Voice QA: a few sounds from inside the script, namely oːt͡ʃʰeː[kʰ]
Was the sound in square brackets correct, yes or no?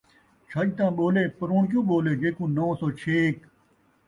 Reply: no